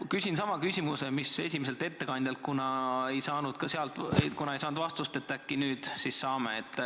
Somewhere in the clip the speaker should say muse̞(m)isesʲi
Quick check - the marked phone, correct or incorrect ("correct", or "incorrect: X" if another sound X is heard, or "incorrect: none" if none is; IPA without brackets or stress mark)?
correct